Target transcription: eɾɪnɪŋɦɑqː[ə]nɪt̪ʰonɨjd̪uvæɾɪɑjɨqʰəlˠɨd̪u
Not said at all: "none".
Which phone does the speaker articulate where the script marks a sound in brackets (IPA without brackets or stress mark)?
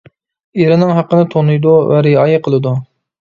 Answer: ə